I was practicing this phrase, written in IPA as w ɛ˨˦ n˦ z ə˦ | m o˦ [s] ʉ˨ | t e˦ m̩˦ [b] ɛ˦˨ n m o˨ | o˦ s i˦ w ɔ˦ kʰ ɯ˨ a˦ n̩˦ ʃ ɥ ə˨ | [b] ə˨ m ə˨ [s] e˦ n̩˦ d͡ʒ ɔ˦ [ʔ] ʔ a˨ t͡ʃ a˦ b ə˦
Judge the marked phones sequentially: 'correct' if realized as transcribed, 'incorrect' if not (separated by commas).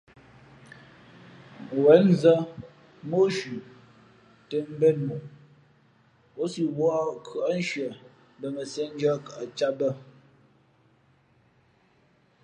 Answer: incorrect, correct, correct, correct, incorrect